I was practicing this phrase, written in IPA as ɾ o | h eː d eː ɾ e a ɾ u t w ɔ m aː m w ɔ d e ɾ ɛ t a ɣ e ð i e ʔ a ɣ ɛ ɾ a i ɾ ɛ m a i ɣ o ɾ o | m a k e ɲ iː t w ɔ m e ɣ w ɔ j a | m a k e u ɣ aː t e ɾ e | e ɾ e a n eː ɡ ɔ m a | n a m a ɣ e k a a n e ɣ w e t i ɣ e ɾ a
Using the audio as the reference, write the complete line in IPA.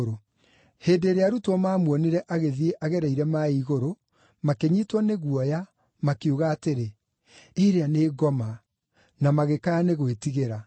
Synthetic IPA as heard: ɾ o | h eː d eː ɾ e a ɾ u t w ɔ m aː m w ɔ n e ɾ ɛ ʔ a ɣ e ð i e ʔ a ɣ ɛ ɾ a i ɾ ɛ m a i ɣ o ɾ o | m a k e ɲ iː t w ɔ n e ɣ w ɔ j a | m a k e u ɣ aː t e ɾ e | e ɾ e a n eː ɡ ɔ m a | n a m a ɣ e k a a n e ɣ w e t i ɣ e ɾ a